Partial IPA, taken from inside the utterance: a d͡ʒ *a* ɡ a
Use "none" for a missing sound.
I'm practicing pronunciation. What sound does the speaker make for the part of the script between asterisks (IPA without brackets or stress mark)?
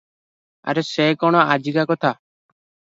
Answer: i